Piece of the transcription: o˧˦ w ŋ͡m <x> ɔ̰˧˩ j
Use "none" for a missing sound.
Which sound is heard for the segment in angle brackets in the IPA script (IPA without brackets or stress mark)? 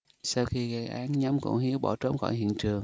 x